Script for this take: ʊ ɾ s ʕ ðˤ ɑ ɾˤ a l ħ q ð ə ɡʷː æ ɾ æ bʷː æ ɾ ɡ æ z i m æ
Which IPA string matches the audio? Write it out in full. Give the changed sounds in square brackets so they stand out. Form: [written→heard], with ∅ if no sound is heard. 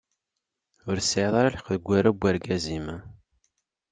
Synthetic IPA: ʊ ɾ s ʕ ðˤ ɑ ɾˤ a l ħ q ð ə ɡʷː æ ɾ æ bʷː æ ɾ ɡ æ z i m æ